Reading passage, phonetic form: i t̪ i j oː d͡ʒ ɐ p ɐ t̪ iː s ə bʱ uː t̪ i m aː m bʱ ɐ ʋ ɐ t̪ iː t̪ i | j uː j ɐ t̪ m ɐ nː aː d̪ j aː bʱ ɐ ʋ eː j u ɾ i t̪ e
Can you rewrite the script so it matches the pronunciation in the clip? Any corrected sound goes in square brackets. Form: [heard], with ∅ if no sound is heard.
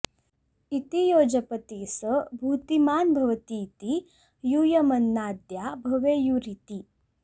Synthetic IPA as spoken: i t̪ i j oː d͡ʒ ɐ p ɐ t̪ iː s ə bʱ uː t̪ i m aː [n] bʱ ɐ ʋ ɐ t̪ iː t̪ i | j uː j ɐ [∅] m ɐ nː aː d̪ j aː bʱ ɐ ʋ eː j u ɾ i t̪ [i]

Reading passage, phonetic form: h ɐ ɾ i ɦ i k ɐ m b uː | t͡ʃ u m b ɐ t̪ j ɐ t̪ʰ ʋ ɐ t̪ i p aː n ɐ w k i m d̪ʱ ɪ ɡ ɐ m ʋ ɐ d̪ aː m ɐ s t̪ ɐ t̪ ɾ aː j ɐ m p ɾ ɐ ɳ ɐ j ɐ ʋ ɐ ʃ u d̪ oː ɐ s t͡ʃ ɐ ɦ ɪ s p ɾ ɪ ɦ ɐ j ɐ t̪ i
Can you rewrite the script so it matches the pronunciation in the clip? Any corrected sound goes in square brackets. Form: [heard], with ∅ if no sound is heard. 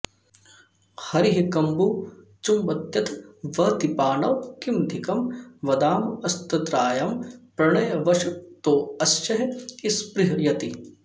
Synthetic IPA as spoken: h ɐ ɾ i ɦ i k ɐ m b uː | t͡ʃ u m b ɐ t̪ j ɐ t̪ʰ ʋ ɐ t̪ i p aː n ɐ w k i m d̪ʱ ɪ [k] ɐ m ʋ ɐ d̪ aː m ɐ s t̪ ɐ t̪ ɾ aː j ɐ m p ɾ ɐ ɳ ɐ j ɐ ʋ ɐ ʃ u [t̪] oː ɐ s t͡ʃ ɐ ɦ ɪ s p ɾ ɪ ɦ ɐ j ɐ t̪ i

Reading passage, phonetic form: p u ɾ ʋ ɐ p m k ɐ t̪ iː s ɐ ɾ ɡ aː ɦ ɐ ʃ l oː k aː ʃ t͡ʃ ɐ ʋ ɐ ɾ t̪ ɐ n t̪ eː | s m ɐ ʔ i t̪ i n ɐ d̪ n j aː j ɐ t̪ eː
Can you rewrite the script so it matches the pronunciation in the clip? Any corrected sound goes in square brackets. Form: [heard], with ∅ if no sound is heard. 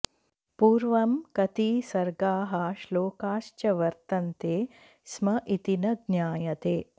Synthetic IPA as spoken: p [uː] ɾ ʋ ɐ [∅] m k ɐ t̪ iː s ɐ ɾ ɡ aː ɦ ɐ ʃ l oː k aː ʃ t͡ʃ ɐ ʋ ɐ ɾ t̪ ɐ n t̪ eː | s m ɐ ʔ i t̪ i n ɐ d̪ n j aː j ɐ t̪ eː

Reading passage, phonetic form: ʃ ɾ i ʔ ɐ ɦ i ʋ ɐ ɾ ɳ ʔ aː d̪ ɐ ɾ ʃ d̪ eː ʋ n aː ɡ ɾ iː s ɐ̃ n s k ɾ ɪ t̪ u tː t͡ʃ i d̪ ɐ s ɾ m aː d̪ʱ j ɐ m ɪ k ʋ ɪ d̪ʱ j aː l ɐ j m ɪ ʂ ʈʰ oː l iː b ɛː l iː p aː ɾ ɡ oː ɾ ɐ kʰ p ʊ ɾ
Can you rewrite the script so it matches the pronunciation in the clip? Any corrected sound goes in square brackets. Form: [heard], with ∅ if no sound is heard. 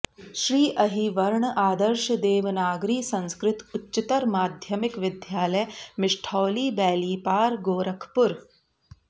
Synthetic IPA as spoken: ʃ ɾ [iː] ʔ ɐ ɦ i ʋ ɐ ɾ ɳ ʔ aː d̪ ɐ ɾ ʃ d̪ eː ʋ n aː ɡ ɾ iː s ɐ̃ n s k ɾ ɪ t̪ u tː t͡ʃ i [t̪] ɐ [∅] ɾ m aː d̪ʱ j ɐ m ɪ k ʋ ɪ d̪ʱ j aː l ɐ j m ɪ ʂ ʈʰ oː l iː b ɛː l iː p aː ɾ ɡ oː ɾ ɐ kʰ p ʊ ɾ

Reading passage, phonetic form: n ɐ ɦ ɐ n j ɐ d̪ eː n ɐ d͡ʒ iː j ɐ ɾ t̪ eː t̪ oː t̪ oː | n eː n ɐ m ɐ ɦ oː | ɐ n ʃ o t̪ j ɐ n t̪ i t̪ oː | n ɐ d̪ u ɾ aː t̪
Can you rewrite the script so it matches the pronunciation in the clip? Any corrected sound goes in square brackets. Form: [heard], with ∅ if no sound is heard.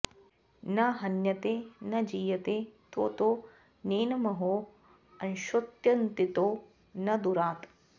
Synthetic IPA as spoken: n ɐ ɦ ɐ n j ɐ [t̪] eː n ɐ d͡ʒ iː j ɐ [∅] t̪ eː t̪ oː t̪ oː | n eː n ɐ m ɐ ɦ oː | ɐ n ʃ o t̪ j ɐ n t̪ i t̪ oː | n ɐ d̪ u ɾ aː t̪

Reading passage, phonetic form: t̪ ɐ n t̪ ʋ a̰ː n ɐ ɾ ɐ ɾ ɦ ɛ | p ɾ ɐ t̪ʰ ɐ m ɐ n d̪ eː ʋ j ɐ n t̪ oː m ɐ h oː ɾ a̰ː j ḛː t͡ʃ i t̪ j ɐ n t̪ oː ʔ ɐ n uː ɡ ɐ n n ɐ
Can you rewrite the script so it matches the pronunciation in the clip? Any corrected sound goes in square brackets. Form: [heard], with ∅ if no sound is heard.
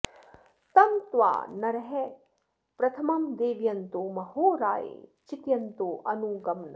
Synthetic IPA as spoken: t̪ ɐ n t̪ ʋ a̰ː n ɐ ɾ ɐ [∅] ɦ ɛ | p ɾ ɐ t̪ʰ ɐ m ɐ [m] d̪ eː ʋ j ɐ n t̪ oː m ɐ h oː ɾ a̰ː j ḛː t͡ʃ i t̪ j ɐ n t̪ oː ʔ ɐ n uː ɡ ɐ [m] n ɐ

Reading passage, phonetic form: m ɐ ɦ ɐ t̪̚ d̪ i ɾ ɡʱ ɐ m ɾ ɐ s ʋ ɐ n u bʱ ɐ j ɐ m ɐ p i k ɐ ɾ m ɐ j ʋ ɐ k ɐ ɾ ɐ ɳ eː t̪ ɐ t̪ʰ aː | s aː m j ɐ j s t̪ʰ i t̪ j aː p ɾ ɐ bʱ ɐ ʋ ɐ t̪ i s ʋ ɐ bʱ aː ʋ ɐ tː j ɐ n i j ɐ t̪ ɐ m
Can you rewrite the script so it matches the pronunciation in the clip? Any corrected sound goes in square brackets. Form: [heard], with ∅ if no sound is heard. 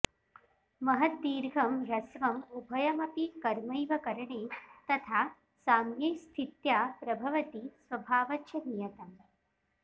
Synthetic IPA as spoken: m ɐ ɦ ɐ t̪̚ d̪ [iː] ɾ ɡʱ ɐ m ɾ ɐ s ʋ ɐ [m] u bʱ ɐ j ɐ m ɐ p i k ɐ ɾ m ɐ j ʋ ɐ k ɐ ɾ ɐ ɳ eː t̪ ɐ t̪ʰ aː | s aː m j ɐ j s t̪ʰ i t̪ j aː p ɾ ɐ bʱ ɐ ʋ ɐ t̪ i s ʋ ɐ bʱ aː ʋ ɐ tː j ɐ n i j ɐ t̪ ɐ m

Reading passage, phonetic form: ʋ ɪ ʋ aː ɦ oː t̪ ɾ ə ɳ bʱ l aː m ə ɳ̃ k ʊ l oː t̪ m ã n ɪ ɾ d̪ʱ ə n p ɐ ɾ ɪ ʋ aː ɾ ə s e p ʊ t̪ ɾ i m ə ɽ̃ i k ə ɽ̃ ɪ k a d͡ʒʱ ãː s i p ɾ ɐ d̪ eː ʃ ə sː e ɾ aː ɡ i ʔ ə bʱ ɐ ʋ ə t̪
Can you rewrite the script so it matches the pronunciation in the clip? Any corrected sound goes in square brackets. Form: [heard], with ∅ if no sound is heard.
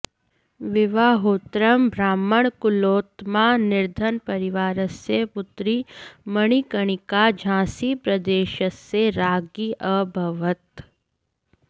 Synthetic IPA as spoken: ʋ ɪ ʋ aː ɦ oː t̪ ɾ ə [m] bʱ [ɾ] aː m ə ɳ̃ k ʊ l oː t̪ m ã n ɪ ɾ d̪ʱ ə n p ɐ ɾ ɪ ʋ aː ɾ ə s e p ʊ t̪ ɾ i m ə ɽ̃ i k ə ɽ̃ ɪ k a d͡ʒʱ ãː s i p ɾ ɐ d̪ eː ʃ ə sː e ɾ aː ɡ i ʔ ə bʱ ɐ ʋ ə t̪

